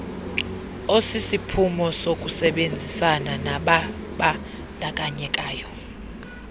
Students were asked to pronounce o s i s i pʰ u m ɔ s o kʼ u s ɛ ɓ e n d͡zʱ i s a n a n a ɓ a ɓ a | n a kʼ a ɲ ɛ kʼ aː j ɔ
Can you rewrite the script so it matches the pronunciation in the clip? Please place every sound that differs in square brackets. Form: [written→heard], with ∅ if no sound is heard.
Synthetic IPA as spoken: o s i s i pʰ u m ɔ s o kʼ u s ɛ ɓ e n d͡zʱ i s a n a n a ɓ a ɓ a | n a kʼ a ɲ ɛ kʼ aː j ɔ